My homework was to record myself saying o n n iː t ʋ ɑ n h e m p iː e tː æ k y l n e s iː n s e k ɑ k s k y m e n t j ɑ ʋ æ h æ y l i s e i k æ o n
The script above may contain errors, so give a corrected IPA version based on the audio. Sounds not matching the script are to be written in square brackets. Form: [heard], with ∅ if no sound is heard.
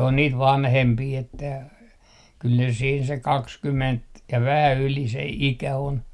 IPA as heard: o n n iː t ʋ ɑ n h e m p iː e tː æ k y l n e s iː n s e k ɑ k s k y m e n t j ɑ ʋ æ h æ y l i s e i k æ o n